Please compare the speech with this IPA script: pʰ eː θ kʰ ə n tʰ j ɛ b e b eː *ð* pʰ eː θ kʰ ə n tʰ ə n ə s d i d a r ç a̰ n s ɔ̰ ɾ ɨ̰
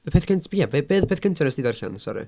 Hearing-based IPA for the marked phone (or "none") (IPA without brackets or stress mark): ð